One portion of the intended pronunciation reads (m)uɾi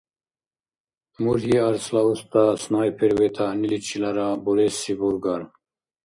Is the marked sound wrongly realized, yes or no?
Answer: no